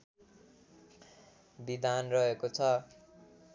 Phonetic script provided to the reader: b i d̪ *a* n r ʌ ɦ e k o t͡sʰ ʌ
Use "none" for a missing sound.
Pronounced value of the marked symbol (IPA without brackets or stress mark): a